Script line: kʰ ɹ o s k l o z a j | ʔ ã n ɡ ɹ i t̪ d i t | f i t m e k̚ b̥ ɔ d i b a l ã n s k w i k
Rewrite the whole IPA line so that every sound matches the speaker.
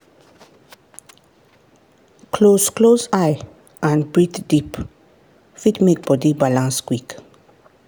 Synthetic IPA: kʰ l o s k l o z a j | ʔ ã n b ɹ i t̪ d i p | f i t m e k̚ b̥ ɔ d i b a l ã n s k w i k